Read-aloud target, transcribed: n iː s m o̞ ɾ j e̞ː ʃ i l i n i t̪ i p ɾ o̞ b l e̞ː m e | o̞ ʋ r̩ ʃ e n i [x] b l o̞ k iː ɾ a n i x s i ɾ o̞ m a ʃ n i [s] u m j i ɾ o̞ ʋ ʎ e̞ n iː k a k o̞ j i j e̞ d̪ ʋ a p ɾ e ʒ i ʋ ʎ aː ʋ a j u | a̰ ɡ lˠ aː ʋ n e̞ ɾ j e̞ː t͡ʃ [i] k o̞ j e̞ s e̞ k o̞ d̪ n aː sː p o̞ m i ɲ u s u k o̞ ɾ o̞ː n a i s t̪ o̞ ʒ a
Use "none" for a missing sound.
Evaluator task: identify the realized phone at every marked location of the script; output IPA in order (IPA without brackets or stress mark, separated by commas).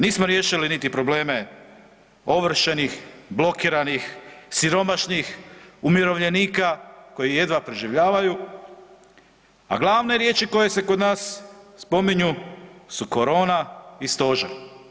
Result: x, x, i